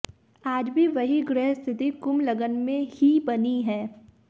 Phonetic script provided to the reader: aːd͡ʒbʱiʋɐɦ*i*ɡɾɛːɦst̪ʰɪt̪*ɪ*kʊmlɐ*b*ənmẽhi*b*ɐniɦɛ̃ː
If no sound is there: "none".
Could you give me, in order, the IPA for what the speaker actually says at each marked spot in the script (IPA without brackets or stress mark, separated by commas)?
i, i, ɡ, b